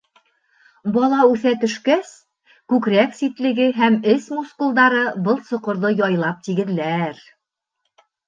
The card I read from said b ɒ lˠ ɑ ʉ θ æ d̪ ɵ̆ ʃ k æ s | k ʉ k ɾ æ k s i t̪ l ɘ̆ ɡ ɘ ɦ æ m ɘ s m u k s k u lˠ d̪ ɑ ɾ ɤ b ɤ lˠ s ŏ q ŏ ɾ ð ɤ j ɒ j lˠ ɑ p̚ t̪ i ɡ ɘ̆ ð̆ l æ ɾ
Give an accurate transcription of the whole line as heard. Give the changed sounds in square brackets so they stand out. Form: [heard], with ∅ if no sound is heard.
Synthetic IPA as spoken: b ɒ lˠ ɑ ʉ θ æ [t̪] ɵ̆ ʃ k æ s | k ʉ k ɾ æ k s i t̪ l ɘ̆ ɡ ɘ ɦ æ m ɘ s m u [∅] s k u lˠ d̪ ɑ ɾ ɤ b ɤ lˠ s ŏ q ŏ ɾ ð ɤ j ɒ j lˠ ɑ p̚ t̪ i ɡ ɘ̆ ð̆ l æ ɾ